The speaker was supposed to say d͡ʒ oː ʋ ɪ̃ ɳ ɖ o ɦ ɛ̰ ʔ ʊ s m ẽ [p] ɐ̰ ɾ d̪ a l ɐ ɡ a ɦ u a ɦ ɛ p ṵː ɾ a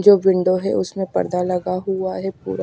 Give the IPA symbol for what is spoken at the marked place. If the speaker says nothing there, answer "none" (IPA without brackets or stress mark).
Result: p